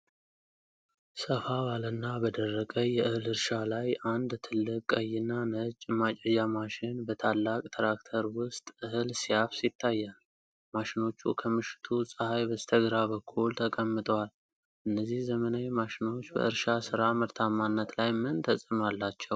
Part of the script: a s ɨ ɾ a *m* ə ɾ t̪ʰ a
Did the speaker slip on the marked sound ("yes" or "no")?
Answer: no